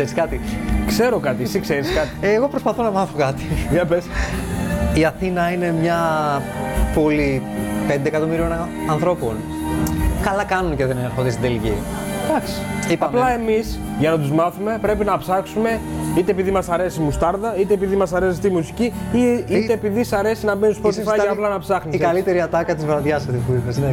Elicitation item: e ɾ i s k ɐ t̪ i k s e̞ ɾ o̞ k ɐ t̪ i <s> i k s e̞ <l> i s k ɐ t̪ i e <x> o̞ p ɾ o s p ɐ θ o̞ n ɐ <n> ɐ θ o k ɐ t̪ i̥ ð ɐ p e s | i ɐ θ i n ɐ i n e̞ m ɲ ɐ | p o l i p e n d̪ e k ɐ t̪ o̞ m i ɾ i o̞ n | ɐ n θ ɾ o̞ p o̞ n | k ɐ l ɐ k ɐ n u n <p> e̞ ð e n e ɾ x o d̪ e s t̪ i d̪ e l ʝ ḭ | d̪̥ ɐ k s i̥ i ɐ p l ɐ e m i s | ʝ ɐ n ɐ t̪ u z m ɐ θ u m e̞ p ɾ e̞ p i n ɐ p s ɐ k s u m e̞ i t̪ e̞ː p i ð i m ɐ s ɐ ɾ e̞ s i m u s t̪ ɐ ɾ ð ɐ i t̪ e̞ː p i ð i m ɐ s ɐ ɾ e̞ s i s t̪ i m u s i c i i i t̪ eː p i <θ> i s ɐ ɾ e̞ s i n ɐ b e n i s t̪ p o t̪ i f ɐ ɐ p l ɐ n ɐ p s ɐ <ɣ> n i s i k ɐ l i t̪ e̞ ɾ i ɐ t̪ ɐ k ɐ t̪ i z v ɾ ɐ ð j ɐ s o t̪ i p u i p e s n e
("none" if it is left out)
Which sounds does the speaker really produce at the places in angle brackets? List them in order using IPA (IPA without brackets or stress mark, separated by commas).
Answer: s, ɾ, ɣ, m, c, ð, x